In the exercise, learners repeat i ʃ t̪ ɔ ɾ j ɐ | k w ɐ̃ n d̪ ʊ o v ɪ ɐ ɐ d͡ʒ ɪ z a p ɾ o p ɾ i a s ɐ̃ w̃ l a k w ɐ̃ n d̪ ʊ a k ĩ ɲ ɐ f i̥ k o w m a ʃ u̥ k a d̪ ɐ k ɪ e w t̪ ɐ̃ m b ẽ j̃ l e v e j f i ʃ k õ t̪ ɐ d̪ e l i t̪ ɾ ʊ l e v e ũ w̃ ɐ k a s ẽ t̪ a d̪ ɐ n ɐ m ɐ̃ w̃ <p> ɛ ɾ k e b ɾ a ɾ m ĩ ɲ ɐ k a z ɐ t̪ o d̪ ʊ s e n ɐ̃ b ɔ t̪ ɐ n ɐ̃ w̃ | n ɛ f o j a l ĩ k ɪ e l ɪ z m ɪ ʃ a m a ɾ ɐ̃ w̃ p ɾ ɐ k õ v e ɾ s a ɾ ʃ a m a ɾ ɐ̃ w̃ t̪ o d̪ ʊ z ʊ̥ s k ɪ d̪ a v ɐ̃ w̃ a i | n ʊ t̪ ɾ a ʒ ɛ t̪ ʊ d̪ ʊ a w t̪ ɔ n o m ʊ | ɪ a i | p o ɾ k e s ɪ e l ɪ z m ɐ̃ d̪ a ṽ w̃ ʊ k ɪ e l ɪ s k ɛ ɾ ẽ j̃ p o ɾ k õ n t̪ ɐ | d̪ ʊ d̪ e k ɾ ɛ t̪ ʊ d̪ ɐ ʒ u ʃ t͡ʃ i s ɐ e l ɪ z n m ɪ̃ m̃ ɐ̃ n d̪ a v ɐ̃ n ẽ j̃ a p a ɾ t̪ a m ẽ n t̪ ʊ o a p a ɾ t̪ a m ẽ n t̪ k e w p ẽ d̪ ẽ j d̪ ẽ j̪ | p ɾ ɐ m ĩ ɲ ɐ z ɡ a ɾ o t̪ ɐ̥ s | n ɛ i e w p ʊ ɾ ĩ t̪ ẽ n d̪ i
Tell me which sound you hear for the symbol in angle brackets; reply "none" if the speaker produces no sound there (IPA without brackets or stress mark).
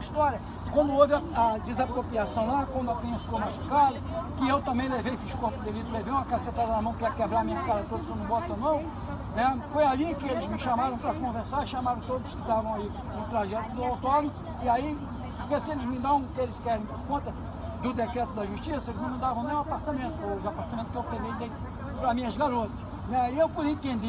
k